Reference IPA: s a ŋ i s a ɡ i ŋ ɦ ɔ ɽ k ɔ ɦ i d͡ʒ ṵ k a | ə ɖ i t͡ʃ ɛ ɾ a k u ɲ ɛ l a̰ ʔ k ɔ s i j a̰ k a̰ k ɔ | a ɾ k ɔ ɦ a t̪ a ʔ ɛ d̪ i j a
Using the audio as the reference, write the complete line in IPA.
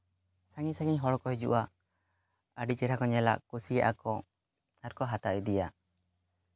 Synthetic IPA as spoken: s a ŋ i s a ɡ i ɲ ɦ ɔ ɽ k ɔ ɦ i d͡ʒ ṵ ʔ a | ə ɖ i t͡ʃ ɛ ɾ a k ɔ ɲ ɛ l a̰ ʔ k u s i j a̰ ʔ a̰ k ɔ | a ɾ k ɔ ɦ a t̪ a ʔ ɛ d̪ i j a